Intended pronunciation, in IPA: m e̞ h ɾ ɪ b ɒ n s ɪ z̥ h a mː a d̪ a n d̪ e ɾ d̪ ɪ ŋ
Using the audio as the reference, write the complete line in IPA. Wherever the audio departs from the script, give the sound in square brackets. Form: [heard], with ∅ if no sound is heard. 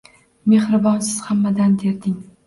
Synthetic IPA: m e̞ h ɾ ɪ b ɒ n s ɪ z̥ h a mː a d̪ a n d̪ e ɾ d̪ ɪ ŋ